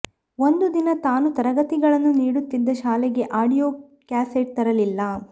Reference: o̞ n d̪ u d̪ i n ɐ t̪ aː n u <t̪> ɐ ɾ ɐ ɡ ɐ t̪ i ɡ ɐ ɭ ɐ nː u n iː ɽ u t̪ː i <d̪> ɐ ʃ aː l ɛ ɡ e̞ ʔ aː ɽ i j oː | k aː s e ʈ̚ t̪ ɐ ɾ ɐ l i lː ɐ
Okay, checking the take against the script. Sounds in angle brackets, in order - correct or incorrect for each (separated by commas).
correct, incorrect